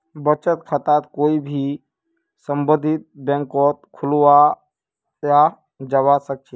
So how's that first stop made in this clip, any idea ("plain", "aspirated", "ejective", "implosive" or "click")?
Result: plain